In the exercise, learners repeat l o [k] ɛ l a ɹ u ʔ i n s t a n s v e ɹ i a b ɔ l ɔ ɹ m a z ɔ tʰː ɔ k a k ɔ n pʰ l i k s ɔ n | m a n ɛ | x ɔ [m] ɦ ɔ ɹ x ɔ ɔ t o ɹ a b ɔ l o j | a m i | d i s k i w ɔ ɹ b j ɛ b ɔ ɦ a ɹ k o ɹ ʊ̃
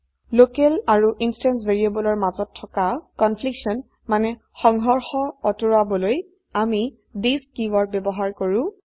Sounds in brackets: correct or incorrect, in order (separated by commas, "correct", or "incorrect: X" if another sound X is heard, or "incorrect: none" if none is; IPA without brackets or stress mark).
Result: correct, incorrect: ŋ